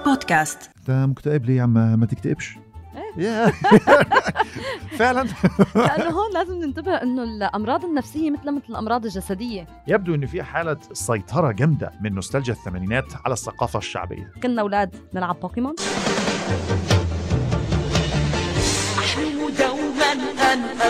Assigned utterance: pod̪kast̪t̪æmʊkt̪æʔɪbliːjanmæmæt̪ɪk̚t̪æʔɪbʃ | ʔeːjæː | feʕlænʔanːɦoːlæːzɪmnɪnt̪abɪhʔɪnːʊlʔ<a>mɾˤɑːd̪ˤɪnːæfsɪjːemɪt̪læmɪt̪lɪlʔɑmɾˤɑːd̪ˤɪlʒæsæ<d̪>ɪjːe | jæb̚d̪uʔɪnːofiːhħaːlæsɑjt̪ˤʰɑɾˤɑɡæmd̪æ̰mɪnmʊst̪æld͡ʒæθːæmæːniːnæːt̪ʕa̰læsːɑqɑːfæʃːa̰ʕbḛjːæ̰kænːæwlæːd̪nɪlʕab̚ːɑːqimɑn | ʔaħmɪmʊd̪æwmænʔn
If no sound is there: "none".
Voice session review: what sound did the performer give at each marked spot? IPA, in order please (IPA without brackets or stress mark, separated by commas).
ɑ, d̪